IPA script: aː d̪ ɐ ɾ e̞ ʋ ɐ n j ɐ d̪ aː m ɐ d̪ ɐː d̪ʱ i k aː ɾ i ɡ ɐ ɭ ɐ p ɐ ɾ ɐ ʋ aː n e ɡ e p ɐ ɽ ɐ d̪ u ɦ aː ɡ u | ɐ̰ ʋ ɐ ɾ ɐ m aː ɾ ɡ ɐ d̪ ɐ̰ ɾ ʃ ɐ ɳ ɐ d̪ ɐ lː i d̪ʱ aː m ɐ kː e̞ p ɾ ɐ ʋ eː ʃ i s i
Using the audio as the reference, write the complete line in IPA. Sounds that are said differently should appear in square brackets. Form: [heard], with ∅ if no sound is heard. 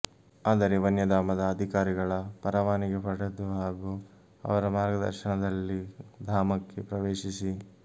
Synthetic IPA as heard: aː d̪ ɐ ɾ e̞ ʋ ɐ n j ɐ d̪ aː m ɐ d̪ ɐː d̪ʱ i k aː ɾ i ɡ ɐ ɭ ɐ p ɐ ɾ ɐ ʋ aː n [i] ɡ e p ɐ ɽ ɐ d̪ u ɦ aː ɡ u | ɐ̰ ʋ ɐ ɾ ɐ m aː ɾ ɡ ɐ d̪ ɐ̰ ɾ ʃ ɐ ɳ ɐ d̪ ɐ lː i d̪ʱ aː m ɐ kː e̞ p ɾ ɐ ʋ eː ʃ i s i